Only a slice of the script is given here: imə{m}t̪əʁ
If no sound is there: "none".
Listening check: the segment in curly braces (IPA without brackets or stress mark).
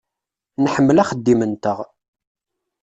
n